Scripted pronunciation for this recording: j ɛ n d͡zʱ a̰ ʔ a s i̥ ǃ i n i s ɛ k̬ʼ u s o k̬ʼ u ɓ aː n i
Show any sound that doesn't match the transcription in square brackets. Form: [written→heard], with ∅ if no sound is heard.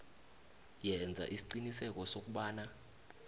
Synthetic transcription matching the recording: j ɛ n d͡zʱ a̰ ʔ [a→i] s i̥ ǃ i n i s ɛ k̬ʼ [u→ɔ] s o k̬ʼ u ɓ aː n [i→a]